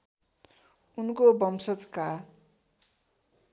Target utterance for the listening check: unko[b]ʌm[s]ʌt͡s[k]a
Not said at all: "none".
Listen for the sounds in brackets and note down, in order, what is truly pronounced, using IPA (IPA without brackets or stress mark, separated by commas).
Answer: b, s, k